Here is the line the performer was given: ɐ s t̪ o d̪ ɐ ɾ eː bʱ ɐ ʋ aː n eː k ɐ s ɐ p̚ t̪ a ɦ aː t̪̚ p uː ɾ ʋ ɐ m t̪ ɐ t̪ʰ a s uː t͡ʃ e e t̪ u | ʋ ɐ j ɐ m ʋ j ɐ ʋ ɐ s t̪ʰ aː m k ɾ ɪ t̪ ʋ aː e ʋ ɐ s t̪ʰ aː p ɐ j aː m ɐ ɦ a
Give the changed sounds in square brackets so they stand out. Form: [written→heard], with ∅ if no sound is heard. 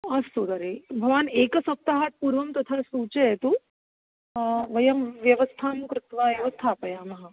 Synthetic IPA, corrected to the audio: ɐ s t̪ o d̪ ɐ ɾ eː bʱ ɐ ʋ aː n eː k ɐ s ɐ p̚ t̪ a ɦ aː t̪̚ p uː ɾ ʋ ɐ m t̪ ɐ t̪ʰ a s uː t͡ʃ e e t̪ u | ʋ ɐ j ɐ m ʋ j ɐ ʋ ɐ s t̪ʰ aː m k ɾ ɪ t̪ ʋ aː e ʋ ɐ s t̪ʰ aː p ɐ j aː m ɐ ɦ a